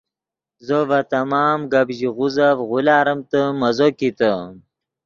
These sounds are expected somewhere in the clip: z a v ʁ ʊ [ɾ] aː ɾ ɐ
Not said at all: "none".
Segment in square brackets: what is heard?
l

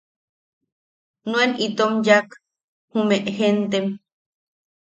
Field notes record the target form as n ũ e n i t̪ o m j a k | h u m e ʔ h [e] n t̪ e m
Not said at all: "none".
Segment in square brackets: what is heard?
e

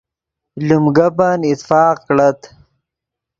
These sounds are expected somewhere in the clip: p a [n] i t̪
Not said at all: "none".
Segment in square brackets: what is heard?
n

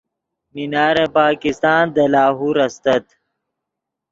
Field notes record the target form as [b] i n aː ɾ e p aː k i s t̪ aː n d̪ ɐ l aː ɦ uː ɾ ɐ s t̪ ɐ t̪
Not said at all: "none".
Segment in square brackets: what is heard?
m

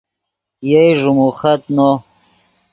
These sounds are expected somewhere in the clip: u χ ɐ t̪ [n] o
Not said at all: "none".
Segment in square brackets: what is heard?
n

